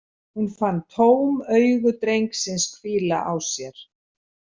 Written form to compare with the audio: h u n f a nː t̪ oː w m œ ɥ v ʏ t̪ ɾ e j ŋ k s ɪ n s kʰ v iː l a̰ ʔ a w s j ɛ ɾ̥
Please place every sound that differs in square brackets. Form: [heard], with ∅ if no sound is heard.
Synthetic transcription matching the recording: h u n f a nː [t̪ʰ] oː w m œ ɥ [ɣ] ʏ t̪ ɾ e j ŋ k s ɪ n s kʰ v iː l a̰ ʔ a w s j ɛ ɾ̥